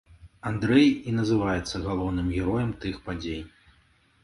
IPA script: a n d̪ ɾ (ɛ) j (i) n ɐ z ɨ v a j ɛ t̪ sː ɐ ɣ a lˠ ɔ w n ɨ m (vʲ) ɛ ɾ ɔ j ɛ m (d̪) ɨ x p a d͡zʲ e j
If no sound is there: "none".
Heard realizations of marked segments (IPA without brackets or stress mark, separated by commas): ɛ, i, ɣʲ, t̪